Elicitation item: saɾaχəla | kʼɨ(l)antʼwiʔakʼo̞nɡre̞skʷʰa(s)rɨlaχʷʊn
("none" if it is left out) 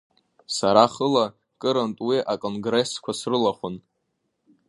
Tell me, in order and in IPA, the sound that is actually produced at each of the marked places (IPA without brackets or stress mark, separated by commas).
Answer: ɾ, s